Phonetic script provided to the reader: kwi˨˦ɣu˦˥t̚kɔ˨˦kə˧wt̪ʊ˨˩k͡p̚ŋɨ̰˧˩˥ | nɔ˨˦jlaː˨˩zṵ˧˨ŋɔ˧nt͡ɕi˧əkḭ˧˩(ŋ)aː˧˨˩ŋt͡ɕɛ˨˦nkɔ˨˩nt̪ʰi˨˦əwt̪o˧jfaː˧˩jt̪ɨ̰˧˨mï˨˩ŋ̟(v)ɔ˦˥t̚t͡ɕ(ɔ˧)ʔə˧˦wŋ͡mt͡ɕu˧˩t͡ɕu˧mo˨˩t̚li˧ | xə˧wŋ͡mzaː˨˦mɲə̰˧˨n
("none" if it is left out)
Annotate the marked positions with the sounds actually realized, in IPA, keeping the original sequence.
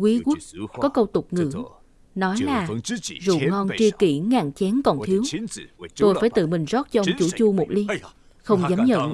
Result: ŋ, z, ɔ˧

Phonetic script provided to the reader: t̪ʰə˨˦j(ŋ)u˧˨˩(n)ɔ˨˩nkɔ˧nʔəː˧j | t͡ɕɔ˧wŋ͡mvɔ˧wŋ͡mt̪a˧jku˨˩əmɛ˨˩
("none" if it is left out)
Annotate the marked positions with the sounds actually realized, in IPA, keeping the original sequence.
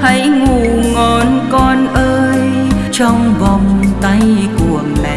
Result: ŋ, ŋ

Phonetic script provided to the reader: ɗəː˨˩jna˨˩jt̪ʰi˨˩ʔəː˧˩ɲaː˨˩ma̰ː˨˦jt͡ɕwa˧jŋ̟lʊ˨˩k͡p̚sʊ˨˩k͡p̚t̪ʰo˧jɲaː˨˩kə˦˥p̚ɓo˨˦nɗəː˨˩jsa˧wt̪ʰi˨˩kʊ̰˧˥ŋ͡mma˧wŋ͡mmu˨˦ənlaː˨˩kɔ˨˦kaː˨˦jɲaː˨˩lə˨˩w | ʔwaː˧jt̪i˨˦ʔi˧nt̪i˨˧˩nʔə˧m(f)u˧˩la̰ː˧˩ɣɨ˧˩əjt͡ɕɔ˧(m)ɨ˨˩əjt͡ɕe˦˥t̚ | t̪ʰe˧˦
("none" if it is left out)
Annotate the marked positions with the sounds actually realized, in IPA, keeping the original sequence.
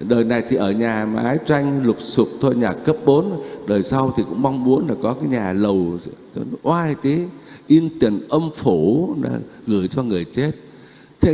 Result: f, ŋ

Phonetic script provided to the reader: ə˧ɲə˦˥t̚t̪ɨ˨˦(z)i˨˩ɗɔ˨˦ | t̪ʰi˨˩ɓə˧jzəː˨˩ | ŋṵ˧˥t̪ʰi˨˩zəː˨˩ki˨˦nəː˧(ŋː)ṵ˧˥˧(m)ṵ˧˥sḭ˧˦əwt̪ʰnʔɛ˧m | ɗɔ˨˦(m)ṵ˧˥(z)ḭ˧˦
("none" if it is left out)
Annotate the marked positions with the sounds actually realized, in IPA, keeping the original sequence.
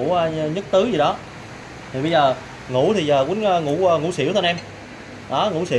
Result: z, ŋ, ŋ, ŋ, s

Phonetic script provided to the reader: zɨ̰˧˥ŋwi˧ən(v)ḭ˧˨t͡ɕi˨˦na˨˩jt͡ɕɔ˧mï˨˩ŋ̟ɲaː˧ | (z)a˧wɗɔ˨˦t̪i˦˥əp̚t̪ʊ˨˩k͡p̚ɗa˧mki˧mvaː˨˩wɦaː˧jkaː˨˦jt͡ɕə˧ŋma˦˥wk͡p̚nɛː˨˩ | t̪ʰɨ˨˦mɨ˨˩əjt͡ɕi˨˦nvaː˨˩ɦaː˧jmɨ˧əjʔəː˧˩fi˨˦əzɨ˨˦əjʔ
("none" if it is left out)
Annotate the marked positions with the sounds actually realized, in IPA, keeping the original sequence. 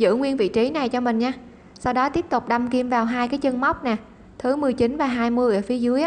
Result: v, s

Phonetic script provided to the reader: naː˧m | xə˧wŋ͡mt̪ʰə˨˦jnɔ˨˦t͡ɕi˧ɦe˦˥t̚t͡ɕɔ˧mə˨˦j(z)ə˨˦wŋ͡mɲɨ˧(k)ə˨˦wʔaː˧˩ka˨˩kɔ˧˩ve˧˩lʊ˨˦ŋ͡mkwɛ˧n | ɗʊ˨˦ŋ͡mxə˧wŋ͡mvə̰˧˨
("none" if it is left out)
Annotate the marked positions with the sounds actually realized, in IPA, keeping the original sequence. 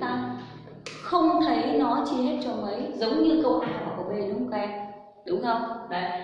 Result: z, k

